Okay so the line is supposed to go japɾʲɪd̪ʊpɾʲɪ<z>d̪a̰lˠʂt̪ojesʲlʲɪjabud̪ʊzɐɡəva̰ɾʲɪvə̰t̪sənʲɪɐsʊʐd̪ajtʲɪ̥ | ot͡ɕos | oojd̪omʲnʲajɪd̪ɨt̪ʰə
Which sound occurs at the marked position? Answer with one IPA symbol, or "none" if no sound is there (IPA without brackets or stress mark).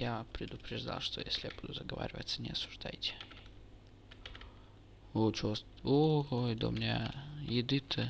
ʐ